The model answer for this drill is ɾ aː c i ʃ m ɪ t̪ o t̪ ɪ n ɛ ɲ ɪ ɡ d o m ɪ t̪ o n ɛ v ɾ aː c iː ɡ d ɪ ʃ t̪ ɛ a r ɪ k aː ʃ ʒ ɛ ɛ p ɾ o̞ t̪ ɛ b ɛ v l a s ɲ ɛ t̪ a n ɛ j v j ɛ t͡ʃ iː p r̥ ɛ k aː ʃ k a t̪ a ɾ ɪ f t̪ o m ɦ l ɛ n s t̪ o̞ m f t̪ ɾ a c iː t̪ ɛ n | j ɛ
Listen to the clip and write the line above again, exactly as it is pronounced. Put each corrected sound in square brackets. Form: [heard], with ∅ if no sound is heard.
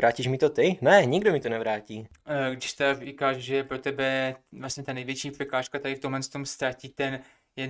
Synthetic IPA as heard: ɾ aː c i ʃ m ɪ t̪ o t̪ ɪ n ɛ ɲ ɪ ɡ d o m ɪ t̪ o n ɛ v ɾ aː c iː ɡ d ɪ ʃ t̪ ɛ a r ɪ k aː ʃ ʒ ɛ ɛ p ɾ o̞ t̪ ɛ b ɛ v l a s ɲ ɛ t̪ a n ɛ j v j ɛ t͡ʃ iː p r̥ ɛ k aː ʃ k a t̪ a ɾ ɪ f t̪ o m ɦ l ɛ n s t̪ o̞ m [s] t̪ ɾ a c iː t̪ ɛ n | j ɛ